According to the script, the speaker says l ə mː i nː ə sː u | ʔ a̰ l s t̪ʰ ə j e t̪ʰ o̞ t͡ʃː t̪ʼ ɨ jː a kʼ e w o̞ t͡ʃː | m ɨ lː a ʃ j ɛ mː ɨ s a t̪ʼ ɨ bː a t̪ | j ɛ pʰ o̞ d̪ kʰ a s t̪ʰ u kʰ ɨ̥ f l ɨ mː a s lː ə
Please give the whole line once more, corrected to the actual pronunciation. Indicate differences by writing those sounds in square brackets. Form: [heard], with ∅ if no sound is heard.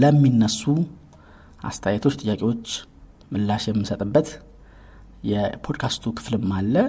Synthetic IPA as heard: l ə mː i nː ə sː u | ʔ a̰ [∅] s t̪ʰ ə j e t̪ʰ o̞ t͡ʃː t̪ʼ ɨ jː a kʼ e w o̞ t͡ʃː | m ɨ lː a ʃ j ɛ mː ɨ s [ə] t̪ʼ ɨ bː [ə] t̪ | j ɛ pʰ o̞ d̪ kʰ a s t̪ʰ u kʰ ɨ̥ f l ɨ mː a [∅] lː ə